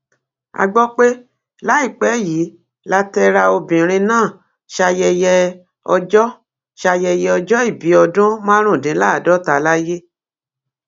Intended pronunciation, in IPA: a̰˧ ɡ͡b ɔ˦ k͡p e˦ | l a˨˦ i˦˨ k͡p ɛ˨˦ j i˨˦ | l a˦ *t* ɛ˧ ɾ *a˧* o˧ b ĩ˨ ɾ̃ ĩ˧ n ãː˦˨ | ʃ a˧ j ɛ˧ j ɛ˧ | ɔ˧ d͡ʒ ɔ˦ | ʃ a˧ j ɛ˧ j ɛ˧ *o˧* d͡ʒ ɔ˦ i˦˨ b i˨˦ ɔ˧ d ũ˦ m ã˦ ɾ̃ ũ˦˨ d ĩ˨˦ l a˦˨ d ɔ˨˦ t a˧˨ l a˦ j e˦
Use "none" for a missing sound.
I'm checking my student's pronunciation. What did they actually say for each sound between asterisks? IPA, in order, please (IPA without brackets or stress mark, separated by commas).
t, a˧, ɔ˧